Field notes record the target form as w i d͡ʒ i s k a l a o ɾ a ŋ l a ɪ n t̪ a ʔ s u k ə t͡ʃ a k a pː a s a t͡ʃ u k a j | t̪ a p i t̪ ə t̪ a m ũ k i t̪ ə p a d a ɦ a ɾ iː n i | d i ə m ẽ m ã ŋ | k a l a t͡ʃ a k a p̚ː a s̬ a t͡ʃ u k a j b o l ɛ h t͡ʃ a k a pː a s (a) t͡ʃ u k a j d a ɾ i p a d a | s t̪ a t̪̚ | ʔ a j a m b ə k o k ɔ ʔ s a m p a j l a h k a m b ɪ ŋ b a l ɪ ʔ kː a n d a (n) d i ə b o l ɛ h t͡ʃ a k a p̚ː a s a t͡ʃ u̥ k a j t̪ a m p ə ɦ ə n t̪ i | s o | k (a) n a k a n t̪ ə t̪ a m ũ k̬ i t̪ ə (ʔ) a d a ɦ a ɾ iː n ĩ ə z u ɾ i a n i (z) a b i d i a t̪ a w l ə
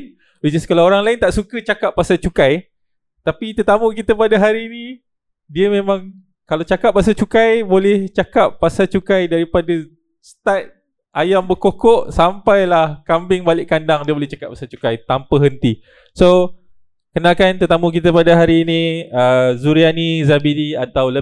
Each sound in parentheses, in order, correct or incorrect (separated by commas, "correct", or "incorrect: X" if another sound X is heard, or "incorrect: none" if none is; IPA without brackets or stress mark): correct, incorrect: ŋ, incorrect: ə, incorrect: p, correct